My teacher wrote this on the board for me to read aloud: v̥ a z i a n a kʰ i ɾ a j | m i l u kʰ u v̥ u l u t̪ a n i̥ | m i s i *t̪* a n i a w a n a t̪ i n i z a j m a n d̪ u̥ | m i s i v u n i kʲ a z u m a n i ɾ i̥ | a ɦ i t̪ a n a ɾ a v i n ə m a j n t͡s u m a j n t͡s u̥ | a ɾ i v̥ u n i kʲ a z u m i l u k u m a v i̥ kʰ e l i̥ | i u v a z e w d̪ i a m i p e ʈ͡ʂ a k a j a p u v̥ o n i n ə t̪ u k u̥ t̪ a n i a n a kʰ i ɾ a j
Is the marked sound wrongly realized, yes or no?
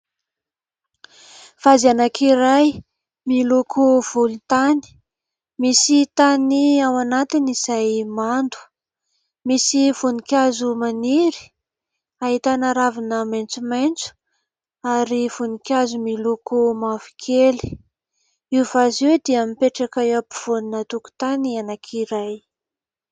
no